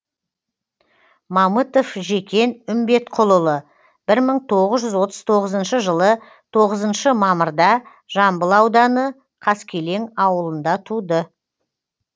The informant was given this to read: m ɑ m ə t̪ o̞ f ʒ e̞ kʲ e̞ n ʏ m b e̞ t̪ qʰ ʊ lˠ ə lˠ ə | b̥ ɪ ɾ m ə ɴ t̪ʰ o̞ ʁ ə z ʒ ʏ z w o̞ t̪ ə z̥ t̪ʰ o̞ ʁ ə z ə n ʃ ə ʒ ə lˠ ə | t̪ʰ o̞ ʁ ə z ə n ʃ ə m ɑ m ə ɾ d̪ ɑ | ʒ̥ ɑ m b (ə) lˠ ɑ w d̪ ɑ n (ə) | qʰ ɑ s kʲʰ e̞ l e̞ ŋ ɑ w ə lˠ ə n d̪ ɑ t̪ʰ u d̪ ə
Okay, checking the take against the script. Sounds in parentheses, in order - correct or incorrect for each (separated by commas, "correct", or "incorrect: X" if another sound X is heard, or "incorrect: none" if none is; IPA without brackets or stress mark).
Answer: correct, correct